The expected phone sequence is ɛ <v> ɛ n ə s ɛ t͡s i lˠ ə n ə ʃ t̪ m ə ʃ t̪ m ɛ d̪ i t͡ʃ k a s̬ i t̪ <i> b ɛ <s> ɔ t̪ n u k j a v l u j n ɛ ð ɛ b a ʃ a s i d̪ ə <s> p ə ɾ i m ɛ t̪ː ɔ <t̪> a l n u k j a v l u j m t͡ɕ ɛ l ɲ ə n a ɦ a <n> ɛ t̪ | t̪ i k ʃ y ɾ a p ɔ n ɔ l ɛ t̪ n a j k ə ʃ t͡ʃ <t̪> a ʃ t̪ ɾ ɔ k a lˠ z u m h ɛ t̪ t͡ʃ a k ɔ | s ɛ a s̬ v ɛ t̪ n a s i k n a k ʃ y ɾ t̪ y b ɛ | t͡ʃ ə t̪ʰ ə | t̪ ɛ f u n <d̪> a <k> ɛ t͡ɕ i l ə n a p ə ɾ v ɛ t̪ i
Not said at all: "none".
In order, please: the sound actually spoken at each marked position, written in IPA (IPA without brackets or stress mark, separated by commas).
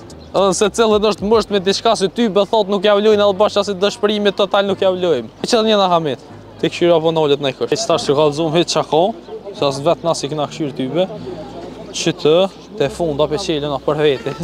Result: ð, y, θ, ʃ, t̪, m, t̪, d̪, p